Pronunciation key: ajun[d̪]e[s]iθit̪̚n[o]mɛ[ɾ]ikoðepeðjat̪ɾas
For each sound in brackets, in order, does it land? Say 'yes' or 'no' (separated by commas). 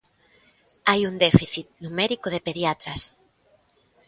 yes, no, no, yes